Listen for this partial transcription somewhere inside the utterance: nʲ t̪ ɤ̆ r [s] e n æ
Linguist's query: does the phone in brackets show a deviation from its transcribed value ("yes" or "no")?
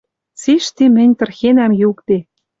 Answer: yes